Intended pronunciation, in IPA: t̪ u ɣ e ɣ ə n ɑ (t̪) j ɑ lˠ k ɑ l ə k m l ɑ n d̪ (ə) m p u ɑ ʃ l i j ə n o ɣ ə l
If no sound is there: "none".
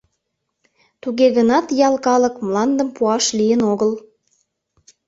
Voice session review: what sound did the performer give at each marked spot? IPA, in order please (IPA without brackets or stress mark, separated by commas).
t̪, ə